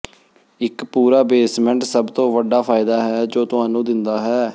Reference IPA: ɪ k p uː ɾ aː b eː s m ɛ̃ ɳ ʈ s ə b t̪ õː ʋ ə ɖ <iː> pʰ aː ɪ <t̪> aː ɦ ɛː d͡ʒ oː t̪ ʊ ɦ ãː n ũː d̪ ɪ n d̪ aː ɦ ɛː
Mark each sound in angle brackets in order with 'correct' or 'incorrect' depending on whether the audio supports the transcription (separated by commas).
incorrect, incorrect